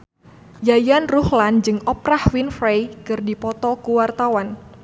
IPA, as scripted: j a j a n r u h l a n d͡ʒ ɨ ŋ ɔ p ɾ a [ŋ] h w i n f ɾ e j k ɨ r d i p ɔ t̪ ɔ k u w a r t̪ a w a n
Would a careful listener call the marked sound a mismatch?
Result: yes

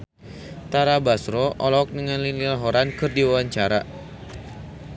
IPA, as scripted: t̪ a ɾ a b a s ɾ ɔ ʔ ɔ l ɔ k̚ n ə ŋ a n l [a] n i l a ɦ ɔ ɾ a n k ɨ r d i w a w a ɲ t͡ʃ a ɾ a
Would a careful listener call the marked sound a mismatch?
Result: yes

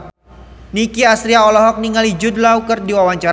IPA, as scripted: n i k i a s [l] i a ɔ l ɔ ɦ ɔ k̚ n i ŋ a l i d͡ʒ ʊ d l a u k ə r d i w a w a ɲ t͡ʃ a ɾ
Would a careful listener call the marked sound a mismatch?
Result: yes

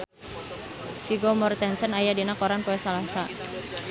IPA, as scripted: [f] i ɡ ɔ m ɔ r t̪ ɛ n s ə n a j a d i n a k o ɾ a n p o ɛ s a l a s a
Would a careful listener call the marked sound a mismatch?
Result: no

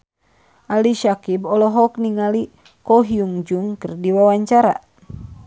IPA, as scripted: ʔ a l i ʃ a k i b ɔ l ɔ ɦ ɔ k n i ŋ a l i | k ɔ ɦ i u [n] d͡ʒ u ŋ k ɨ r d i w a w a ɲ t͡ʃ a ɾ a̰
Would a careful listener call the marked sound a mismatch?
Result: yes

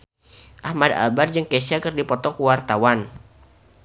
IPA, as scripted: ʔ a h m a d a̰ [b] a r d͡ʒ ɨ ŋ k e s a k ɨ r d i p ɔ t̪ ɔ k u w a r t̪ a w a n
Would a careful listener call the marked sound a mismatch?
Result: no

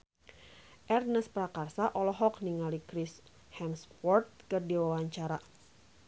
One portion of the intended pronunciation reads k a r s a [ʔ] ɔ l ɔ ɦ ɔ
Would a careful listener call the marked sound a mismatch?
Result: no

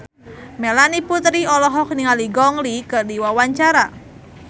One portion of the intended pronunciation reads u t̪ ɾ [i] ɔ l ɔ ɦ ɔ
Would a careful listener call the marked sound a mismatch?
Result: no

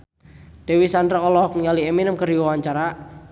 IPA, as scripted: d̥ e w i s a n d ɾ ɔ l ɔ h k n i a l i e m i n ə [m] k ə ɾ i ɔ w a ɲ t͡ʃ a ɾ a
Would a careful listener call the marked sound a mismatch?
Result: no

